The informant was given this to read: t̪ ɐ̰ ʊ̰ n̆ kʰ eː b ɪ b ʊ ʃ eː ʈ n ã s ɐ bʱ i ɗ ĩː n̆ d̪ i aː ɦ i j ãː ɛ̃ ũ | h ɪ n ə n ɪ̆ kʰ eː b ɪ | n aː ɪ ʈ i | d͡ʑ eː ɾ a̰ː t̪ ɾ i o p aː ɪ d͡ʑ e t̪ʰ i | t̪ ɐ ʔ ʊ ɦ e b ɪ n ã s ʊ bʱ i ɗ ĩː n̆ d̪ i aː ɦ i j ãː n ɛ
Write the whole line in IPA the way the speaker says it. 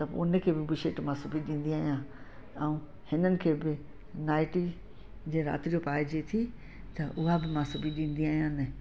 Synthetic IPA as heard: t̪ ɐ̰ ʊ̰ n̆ kʰ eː b ɪ b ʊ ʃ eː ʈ m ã s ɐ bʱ i ɗ ĩː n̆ d̪ i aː ɦ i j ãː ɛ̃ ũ | h ɪ n ə n ɪ̆ kʰ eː b ɪ | n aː ɪ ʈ i | d͡ʑ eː ɾ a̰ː t̪ ɾ i o p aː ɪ d͡ʑ e t̪ʰ i | t̪ ɐ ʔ ʊ ɦ a b ɪ m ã s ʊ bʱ i ɗ ĩː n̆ d̪ i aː ɦ i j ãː n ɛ